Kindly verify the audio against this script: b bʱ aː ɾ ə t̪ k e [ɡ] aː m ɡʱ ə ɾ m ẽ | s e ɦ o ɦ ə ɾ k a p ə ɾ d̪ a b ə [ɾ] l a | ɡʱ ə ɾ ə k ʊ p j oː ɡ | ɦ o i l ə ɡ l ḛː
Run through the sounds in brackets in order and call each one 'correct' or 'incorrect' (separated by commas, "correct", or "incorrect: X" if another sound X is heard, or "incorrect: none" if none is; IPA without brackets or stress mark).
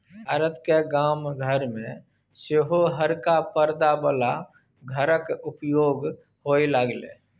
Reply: correct, incorrect: none